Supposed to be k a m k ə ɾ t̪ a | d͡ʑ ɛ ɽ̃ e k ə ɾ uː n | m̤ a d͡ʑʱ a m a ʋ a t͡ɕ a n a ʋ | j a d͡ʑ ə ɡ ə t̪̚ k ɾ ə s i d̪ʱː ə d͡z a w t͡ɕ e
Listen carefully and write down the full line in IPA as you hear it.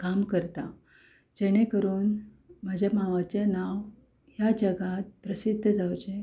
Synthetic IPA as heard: k a m k ə ɾ t̪ a | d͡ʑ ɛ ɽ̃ e k ə ɾ uː n | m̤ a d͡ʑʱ a m a ʋ a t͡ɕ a n a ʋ | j a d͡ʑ ə ɡ a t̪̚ p ɾ ə s i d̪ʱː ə d͡z a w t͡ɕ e